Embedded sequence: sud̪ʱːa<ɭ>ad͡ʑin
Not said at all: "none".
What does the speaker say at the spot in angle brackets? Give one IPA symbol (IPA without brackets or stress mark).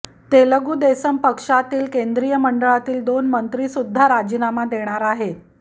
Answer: ɾ